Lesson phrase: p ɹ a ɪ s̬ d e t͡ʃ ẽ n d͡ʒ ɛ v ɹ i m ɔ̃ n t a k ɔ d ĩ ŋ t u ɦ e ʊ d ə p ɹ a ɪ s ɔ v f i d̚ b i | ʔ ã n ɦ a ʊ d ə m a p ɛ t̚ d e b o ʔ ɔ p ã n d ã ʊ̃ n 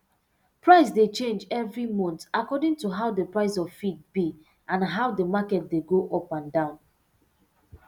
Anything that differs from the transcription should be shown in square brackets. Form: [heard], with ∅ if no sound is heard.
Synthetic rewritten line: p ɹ a ɪ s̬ d e t͡ʃ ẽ n d͡ʒ ɛ v ɹ i m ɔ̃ n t a k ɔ d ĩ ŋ t u ɦ [a] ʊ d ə p ɹ a ɪ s ɔ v f i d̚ b i | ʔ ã n ɦ a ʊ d ə m a [k] ɛ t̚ d e [ɡ] o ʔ ɔ p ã n d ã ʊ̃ n